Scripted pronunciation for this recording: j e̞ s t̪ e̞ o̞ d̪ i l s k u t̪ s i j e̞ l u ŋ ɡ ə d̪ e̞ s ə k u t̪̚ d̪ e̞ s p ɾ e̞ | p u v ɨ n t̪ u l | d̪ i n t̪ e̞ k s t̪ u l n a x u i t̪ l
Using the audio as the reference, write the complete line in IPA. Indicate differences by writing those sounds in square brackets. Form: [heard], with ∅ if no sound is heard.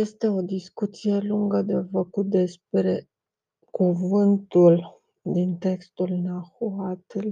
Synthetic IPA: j e̞ s t̪ e̞ o̞ d̪ i [∅] s k u t̪ s i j e̞ l u ŋ ɡ ə d̪ e̞ [f] ə k u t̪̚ d̪ e̞ s p ɾ e̞ | [k] u v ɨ n t̪ u l | d̪ i n t̪ e̞ k s t̪ u l n a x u [a] t̪ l